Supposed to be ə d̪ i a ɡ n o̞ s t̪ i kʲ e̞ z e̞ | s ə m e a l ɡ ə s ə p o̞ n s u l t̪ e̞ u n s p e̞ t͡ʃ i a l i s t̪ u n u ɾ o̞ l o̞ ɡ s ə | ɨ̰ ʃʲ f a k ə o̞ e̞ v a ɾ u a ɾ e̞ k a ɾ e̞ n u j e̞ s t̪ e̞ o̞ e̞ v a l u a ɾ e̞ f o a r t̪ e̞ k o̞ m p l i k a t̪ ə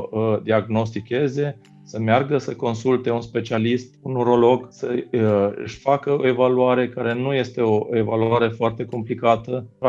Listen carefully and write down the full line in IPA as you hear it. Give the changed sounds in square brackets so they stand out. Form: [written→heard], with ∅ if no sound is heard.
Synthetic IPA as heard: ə d̪ i a ɡ n o̞ s t̪ i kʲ e̞ z e̞ | s ə m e a [l→r] ɡ ə s ə [p→k] o̞ n s u l t̪ e̞ u n s p e̞ t͡ʃ i a l i s t̪ u n u ɾ o̞ l o̞ ɡ s ə | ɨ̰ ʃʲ f a k ə o̞ e̞ v a [ɾ→l] u a ɾ e̞ k a ɾ e̞ n u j e̞ s t̪ e̞ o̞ e̞ v a l u a ɾ e̞ f o a r t̪ e̞ k o̞ m p l i k a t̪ ə